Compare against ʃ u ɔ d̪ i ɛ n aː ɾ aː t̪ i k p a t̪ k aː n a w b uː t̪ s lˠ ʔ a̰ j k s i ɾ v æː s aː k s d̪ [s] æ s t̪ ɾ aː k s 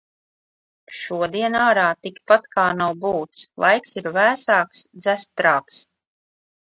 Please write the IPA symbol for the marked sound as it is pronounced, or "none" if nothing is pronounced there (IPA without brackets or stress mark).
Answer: z